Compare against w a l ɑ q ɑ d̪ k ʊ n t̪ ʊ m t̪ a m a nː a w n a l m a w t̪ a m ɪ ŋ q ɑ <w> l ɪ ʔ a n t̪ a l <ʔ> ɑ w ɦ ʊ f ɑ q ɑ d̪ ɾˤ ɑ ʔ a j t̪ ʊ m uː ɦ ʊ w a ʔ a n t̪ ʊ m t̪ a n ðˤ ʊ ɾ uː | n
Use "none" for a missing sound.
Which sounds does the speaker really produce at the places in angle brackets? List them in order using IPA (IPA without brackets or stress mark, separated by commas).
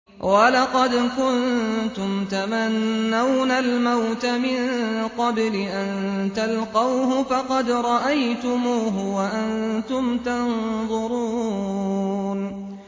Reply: b, q